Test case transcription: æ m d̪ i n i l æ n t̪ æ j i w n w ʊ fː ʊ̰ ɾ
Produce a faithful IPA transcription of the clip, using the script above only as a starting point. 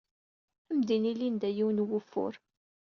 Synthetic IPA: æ m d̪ i n i l i n d̪ æ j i w n w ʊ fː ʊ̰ ɾ